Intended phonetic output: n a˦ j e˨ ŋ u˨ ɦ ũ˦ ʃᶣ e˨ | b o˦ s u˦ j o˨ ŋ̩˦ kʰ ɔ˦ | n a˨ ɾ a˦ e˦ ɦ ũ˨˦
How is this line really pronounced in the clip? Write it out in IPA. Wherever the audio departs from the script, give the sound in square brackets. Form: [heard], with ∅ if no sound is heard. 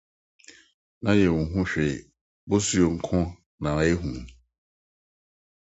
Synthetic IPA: n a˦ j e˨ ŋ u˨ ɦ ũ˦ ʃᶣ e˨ | b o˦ s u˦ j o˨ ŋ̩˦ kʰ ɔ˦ | n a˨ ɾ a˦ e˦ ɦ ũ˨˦